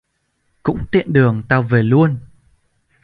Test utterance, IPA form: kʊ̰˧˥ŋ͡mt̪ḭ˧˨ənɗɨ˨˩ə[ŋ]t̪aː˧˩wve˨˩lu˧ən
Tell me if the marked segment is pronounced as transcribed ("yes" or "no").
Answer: yes